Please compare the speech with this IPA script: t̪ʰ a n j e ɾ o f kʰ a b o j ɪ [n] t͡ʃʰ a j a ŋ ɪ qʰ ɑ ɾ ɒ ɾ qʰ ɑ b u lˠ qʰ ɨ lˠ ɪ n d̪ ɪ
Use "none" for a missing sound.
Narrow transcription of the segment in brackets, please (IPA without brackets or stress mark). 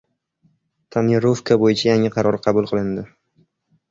none